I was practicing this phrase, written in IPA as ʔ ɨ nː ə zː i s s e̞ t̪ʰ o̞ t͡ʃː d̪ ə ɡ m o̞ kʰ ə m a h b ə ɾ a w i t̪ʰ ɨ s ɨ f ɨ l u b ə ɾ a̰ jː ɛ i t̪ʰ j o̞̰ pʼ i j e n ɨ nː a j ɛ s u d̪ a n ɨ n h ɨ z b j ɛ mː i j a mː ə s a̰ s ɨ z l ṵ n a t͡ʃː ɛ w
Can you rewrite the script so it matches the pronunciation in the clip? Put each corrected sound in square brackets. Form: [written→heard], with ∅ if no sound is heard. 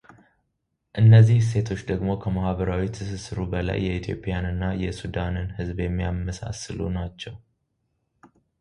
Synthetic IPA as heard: ʔ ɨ nː ə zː i [s→h] s e̞ t̪ʰ o̞ t͡ʃː d̪ ə ɡ m o̞ kʰ ə m a h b ə ɾ a w i t̪ʰ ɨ s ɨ [f→s] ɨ [l→ɾ] u b ə [ɾ→l] a̰ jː ɛ i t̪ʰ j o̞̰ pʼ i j [e→a] n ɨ nː a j ɛ s u d̪ a n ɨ n h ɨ z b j ɛ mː i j a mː ə s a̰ s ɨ [z→∅] l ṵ n a t͡ʃː ɛ w